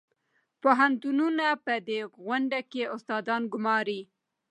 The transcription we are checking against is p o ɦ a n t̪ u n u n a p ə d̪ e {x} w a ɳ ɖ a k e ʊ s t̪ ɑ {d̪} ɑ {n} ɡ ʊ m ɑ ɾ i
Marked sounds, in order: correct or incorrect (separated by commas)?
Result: incorrect, correct, correct